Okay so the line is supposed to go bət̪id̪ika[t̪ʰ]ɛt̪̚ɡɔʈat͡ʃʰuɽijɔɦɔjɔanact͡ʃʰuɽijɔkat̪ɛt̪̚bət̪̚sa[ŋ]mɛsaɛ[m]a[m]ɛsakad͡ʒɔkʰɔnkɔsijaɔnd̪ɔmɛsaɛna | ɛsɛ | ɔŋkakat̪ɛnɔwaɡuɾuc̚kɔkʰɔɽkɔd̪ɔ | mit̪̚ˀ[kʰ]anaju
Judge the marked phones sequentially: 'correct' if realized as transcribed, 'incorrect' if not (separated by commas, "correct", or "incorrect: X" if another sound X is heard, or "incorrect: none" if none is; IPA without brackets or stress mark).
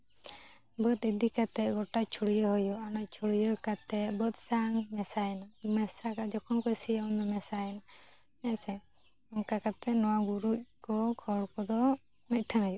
incorrect: t̪, correct, incorrect: n, correct, incorrect: ʈʰ